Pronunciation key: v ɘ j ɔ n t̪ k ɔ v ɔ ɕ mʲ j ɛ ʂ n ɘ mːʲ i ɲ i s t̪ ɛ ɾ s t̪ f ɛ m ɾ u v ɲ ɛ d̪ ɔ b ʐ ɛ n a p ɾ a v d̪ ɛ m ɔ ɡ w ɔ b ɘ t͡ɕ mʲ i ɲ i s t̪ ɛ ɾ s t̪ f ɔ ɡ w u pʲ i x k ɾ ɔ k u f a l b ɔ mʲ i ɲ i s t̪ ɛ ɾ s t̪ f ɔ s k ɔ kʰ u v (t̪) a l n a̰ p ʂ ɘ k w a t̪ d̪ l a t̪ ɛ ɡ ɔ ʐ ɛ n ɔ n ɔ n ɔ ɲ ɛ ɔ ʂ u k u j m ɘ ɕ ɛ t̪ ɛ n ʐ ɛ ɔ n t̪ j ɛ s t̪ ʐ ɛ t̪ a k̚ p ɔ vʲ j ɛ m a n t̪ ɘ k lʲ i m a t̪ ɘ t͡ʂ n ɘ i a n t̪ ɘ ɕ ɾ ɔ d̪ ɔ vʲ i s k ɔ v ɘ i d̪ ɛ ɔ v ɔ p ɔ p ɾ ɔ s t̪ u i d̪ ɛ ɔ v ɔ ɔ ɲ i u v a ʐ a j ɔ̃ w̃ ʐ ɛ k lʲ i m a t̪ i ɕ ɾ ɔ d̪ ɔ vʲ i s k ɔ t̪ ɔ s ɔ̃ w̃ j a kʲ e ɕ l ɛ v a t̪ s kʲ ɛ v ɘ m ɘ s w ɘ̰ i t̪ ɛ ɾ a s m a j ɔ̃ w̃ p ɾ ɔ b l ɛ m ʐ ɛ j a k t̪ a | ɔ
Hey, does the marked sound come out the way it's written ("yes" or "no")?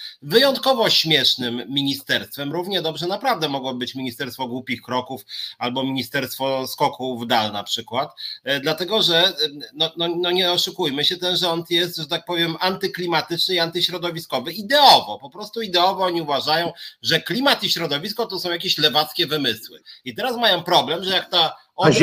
no